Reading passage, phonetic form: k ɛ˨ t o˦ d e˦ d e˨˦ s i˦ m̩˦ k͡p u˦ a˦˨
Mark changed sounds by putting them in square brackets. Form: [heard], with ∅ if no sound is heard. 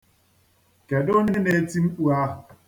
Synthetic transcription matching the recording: k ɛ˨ [d] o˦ [n] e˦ [n] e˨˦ [t] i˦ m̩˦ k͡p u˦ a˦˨

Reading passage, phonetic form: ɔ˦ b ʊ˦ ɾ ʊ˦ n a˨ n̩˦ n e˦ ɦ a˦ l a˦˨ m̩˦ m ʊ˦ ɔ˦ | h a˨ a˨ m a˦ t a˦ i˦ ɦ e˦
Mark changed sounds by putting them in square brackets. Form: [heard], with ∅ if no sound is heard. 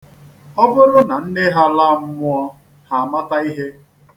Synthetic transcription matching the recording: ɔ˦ b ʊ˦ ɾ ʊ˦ n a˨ n̩˦ n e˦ ɦ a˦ l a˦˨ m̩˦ m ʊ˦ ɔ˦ | h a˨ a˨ m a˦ t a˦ i˦ ɦ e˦

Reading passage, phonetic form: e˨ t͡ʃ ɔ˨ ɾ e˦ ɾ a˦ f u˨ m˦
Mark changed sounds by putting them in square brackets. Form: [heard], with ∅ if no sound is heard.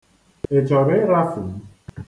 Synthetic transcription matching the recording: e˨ t͡ʃ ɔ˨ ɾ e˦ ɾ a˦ f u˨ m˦

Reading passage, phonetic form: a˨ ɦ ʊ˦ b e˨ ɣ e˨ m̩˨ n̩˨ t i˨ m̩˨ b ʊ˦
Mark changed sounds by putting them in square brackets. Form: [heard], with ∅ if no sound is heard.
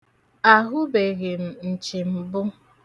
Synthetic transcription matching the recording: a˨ ɦ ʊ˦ b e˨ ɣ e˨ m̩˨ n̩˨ [t͡ʃ] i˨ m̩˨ b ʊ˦

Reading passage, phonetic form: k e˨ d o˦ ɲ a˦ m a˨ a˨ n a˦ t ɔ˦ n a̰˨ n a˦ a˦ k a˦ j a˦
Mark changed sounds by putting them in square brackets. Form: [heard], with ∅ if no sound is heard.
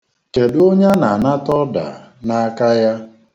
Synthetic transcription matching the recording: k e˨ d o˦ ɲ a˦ [n] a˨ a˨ n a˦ t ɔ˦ [d] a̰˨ n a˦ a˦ k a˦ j a˦

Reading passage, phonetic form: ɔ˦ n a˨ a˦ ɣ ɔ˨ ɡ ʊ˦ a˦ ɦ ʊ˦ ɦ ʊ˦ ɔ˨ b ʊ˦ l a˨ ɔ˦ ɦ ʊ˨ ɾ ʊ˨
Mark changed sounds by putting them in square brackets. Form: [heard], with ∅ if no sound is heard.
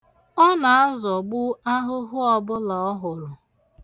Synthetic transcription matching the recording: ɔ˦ n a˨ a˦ [z] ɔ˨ [ɡ͡b] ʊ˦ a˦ ɦ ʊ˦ ɦ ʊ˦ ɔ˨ b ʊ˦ l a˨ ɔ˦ ɦ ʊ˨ ɾ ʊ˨

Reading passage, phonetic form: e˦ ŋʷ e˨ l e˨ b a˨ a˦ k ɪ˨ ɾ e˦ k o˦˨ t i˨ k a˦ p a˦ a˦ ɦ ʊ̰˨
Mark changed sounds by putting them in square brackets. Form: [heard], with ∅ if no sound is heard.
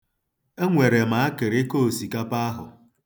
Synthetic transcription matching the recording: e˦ ŋʷ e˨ [ɾ] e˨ [m] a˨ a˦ k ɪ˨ ɾ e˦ k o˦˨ [s] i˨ k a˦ p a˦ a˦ ɦ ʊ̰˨

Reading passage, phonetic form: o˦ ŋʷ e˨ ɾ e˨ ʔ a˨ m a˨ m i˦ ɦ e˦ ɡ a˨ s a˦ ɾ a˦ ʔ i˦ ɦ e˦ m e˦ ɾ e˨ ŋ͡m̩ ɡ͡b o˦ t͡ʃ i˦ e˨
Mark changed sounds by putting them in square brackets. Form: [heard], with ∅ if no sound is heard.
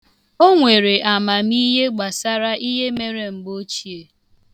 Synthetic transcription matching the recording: o˦ ŋʷ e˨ ɾ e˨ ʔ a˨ m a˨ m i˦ ɦ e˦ [ɡ͡b] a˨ s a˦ ɾ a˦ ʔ i˦ ɦ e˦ m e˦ ɾ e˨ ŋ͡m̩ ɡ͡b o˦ t͡ʃ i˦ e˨

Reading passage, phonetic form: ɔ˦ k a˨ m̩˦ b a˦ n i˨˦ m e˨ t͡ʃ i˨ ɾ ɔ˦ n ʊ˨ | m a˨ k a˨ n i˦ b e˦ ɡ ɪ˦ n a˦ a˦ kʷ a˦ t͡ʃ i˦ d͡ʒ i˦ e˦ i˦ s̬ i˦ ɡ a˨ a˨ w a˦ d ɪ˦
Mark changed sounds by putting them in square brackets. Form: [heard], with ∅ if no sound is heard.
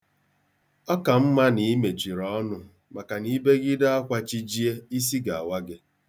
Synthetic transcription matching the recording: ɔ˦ k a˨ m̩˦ [m] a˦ n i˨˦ m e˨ t͡ʃ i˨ ɾ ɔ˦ n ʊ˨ | m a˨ k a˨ n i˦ b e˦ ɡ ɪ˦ [d] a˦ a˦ kʷ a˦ t͡ʃ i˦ d͡ʒ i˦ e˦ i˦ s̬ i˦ ɡ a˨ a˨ w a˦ [ɡ] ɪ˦

